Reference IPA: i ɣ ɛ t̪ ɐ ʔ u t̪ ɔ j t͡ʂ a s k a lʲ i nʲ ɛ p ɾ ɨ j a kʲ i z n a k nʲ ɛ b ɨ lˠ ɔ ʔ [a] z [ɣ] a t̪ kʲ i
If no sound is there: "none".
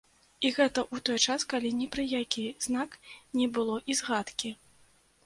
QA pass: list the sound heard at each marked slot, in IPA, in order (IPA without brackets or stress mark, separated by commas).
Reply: i, ɣ